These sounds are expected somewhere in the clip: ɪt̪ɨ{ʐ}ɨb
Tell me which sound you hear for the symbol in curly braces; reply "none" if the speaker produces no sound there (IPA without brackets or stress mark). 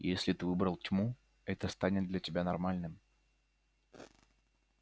v